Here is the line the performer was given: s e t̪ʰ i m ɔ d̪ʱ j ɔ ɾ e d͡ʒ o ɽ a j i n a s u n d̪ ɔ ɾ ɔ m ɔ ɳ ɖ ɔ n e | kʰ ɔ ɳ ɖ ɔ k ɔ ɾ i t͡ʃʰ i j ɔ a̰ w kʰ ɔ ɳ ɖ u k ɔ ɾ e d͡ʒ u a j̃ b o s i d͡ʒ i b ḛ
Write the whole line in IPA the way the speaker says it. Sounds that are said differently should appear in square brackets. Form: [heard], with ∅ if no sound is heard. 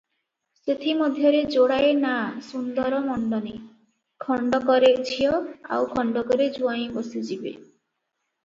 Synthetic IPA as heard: s e t̪ʰ i m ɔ d̪ʱ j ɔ ɾ e d͡ʒ o ɽ a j [e] n a s u n d̪ ɔ ɾ ɔ m ɔ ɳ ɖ ɔ n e | kʰ ɔ ɳ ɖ ɔ k ɔ ɾ [e] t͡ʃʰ i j ɔ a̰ w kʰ ɔ ɳ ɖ [ɔ] k ɔ ɾ e d͡ʒ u a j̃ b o s i d͡ʒ i b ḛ